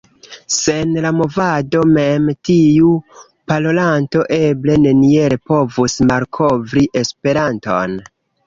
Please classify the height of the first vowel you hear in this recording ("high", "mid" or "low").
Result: mid